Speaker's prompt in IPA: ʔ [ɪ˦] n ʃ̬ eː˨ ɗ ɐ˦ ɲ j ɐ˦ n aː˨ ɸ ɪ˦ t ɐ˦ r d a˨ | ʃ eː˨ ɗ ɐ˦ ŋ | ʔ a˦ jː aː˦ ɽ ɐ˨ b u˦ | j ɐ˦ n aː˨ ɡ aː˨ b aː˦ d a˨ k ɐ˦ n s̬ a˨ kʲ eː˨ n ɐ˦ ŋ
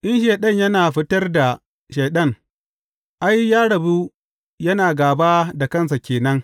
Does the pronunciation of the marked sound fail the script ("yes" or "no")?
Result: no